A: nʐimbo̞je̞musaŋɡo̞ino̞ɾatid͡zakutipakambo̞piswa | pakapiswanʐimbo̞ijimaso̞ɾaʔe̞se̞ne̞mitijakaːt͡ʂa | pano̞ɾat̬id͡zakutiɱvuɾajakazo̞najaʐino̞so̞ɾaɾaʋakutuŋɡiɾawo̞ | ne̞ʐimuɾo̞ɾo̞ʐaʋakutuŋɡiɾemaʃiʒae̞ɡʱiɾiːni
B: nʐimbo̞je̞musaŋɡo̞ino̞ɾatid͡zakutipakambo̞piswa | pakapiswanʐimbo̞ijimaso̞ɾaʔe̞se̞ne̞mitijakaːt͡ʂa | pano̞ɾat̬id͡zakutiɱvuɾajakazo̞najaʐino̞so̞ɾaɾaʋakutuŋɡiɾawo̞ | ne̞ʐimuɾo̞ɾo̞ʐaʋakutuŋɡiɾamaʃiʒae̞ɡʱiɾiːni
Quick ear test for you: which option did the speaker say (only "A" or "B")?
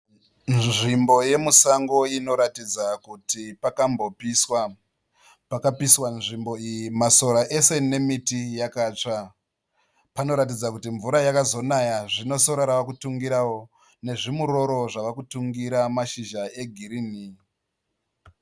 B